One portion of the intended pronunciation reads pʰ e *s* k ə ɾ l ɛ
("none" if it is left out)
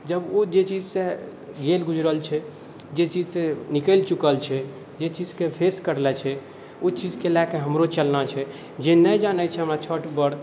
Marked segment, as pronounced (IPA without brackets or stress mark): s